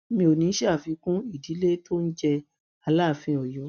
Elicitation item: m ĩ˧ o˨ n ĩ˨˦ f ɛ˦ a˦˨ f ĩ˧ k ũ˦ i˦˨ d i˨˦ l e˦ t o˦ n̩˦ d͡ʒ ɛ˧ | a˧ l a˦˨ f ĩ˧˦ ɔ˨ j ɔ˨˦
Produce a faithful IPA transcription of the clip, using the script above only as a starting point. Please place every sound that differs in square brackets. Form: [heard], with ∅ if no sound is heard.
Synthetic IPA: m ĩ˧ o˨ n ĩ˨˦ [ʃ] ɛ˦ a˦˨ f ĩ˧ k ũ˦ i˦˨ d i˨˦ l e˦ t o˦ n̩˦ d͡ʒ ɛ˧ | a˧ l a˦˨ f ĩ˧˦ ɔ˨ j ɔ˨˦